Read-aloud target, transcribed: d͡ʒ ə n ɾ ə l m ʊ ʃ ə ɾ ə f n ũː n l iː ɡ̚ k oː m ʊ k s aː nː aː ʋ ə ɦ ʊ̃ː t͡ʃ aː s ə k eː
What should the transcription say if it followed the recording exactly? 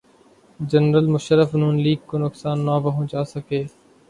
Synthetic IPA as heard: d͡ʒ ə n ɾ ə l m ʊ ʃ ə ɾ ə f n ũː n l iː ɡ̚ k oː n ʊ k s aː nː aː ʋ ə ɦ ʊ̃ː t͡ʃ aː s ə k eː